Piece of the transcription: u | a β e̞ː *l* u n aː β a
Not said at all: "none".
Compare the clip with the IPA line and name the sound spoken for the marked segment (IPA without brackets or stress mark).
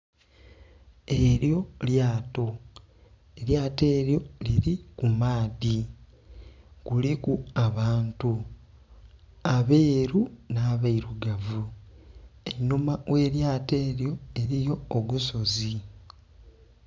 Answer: ɾ